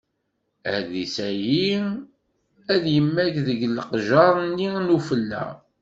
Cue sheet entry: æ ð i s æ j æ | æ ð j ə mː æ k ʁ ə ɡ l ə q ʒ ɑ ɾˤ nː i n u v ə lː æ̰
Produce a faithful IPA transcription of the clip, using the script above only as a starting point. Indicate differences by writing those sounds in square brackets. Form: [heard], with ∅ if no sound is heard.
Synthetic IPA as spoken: æ ð i s æ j [i] | æ ð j ə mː æ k [ð] ə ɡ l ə q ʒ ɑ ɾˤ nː i n u [f] ə lː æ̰